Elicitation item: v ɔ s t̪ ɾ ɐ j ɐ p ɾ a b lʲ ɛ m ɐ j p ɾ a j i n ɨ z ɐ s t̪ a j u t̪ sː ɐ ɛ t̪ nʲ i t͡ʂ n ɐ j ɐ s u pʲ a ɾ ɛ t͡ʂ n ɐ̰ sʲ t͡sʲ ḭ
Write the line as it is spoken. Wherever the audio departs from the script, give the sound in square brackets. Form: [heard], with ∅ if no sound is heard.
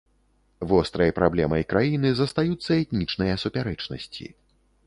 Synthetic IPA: v ɔ s t̪ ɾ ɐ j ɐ p ɾ a b lʲ ɛ m ɐ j [k] ɾ a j i n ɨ z ɐ s t̪ a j u t̪ sː ɐ ɛ t̪ nʲ i t͡ʂ n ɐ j ɐ s u pʲ a ɾ ɛ t͡ʂ n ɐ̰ sʲ t͡sʲ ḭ